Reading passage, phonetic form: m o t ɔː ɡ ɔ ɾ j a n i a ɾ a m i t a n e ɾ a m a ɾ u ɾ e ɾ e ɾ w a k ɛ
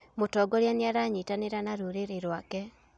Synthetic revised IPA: m o t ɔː ɡ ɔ ɾ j a n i a ɾ a ɲ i t a n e ɾ a n a ɾ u ɾ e ɾ e ɾ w a k ɛ